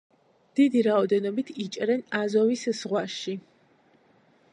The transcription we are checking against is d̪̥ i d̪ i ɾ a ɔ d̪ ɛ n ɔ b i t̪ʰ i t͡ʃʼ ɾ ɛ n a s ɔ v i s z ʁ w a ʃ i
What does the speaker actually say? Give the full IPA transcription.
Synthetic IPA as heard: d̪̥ i d̪ i ɾ a ɔ d̪ ɛ n ɔ b i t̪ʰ i t͡ʃʼ ɾ ɛ n a z ɔ v i s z ʁ w a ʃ i